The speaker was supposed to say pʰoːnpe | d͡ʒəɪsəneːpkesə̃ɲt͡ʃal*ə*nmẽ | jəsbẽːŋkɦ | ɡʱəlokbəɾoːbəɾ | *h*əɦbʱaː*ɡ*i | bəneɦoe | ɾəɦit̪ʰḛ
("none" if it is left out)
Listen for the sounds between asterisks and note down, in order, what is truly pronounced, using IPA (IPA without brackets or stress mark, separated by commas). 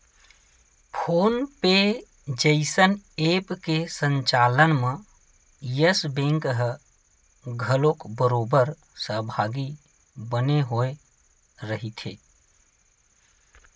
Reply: ə, s, ɡ